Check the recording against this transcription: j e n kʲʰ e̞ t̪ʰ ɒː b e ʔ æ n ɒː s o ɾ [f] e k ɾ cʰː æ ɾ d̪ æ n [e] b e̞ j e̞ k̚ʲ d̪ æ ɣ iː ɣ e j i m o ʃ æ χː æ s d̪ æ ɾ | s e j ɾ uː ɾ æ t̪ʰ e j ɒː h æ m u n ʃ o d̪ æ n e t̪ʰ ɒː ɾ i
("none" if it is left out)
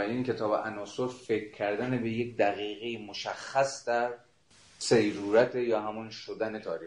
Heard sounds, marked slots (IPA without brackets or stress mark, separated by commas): f, e